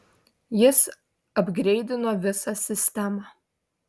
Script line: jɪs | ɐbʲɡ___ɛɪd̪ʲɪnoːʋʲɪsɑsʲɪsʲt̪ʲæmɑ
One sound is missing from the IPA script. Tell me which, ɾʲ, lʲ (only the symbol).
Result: ɾʲ